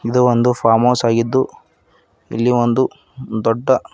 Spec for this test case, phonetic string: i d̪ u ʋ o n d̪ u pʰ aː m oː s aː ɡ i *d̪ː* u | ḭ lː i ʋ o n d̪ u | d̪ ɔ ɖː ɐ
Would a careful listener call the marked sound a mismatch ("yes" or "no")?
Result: no